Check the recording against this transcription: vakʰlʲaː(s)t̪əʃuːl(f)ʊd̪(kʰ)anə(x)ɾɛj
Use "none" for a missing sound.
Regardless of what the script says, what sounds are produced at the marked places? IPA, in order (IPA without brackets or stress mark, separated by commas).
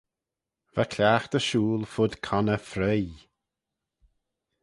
x, f, kʰ, f